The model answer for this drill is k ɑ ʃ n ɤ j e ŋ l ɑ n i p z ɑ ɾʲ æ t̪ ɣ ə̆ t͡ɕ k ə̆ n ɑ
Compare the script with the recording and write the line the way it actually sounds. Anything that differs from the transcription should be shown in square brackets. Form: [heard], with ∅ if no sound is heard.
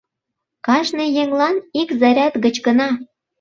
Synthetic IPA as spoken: k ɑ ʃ n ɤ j e ŋ l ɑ n i [k] z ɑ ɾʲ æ t̪ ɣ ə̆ t͡ɕ k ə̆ n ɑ